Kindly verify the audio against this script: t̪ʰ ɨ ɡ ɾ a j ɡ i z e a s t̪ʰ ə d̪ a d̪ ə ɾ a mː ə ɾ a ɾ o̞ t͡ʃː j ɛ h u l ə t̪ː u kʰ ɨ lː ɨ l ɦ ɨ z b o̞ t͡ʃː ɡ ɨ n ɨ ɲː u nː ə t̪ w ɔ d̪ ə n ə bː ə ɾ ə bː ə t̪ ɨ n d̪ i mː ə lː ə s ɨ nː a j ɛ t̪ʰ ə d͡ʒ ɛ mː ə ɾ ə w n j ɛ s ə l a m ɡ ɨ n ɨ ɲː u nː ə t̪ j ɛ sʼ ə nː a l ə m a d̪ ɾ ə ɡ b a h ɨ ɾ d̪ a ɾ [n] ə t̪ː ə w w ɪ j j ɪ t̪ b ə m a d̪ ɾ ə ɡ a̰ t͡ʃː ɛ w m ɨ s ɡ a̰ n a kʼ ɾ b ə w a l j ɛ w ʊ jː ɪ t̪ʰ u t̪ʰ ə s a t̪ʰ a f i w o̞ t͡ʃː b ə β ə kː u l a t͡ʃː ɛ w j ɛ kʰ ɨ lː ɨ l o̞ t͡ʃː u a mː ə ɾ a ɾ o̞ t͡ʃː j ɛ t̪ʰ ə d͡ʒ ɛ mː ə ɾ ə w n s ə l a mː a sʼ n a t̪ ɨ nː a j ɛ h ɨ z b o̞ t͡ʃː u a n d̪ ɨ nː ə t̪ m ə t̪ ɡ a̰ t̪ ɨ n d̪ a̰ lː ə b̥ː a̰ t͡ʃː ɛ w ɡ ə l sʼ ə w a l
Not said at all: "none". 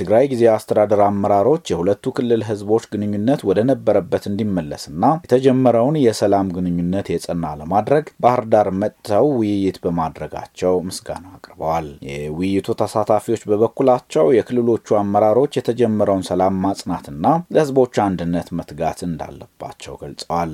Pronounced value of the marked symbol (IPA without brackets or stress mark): m